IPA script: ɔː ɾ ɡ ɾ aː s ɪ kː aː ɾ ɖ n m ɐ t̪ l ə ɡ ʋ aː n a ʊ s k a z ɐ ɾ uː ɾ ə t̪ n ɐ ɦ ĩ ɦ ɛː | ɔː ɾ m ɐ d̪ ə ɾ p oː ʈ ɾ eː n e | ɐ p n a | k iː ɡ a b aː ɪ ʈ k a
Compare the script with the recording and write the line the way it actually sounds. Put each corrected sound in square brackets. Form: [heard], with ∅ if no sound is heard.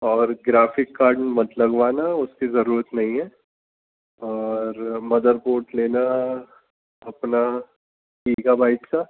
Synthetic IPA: ɔː ɾ ɡ ɾ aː [f] ɪ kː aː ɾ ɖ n m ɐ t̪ l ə ɡ ʋ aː n a ʊ s k [i] z ɐ ɾ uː ɾ ə t̪ n ɐ ɦ ĩ ɦ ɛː | ɔː ɾ m ɐ d̪ ə ɾ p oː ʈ [l] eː n [a] | ɐ p n a | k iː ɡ a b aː ɪ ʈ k a